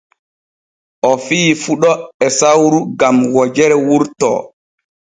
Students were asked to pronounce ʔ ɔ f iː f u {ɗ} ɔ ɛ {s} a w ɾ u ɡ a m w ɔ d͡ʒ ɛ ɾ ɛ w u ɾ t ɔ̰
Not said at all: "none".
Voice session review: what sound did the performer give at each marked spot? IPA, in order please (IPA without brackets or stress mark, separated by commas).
ɗ, s